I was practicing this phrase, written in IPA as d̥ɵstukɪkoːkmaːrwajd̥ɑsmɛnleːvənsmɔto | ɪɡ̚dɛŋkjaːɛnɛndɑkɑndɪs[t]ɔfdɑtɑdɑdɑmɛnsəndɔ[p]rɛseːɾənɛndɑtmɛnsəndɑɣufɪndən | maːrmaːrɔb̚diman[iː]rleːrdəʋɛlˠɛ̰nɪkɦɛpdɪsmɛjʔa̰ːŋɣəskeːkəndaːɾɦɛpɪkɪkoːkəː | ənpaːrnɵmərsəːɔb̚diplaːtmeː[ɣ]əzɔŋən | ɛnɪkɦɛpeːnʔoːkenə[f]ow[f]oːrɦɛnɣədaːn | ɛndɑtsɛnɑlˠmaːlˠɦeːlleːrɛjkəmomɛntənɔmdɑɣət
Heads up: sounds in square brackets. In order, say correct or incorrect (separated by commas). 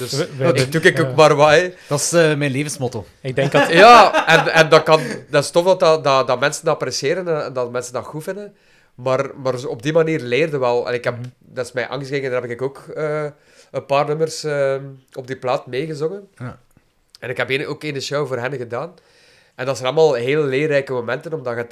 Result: correct, correct, correct, correct, incorrect, incorrect